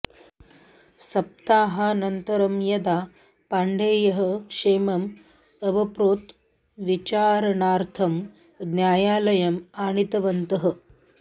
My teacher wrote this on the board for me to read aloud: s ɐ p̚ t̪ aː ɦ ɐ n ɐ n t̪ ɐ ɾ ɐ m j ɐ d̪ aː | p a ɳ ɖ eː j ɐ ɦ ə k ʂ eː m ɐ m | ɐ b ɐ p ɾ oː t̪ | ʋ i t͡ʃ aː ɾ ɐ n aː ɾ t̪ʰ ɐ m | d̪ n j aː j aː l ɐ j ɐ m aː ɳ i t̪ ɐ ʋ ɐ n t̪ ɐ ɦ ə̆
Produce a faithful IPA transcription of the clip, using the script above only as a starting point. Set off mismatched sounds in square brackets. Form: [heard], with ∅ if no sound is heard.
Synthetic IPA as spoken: s ɐ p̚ t̪ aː ɦ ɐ n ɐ n t̪ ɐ ɾ ɐ m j ɐ d̪ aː | p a ɳ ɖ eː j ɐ ɦ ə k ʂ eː m ɐ m | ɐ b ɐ p ɾ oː t̪ | ʋ i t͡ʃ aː ɾ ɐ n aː ɾ t̪ʰ ɐ m | d̪ n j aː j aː l ɐ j ɐ m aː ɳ i t̪ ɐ ʋ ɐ n t̪ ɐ ɦ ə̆